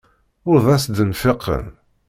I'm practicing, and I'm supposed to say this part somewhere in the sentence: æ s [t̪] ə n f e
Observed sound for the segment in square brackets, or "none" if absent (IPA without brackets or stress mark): d̪